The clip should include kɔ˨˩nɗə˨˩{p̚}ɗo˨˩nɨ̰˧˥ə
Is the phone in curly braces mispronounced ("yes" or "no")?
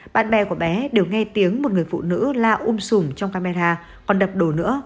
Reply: no